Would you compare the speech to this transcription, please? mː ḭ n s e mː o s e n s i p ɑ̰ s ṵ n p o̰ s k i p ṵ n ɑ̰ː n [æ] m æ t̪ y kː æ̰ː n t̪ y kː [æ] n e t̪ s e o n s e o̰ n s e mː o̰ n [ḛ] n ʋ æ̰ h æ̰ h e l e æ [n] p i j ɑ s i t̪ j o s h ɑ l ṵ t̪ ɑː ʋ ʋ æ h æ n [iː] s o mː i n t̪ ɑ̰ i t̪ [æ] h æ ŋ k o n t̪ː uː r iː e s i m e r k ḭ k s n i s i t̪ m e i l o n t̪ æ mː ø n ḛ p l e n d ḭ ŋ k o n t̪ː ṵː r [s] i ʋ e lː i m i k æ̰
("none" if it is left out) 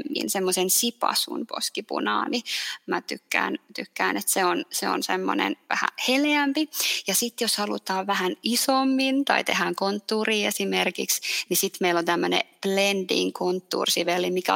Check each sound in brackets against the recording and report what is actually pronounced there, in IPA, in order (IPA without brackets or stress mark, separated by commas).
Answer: i, æː, ḛ, m, i, e, s